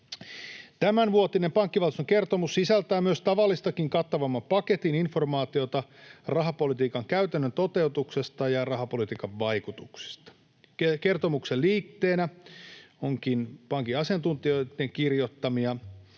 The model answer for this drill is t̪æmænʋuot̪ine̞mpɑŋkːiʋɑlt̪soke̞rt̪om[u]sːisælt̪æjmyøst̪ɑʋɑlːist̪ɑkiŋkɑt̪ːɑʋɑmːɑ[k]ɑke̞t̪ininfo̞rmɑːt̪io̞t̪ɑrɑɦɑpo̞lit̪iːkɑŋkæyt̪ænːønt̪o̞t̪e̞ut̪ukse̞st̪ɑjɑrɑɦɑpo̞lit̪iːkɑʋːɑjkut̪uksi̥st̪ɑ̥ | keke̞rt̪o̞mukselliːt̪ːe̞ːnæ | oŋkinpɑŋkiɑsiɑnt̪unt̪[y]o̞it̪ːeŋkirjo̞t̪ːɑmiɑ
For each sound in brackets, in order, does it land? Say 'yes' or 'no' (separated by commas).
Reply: yes, no, no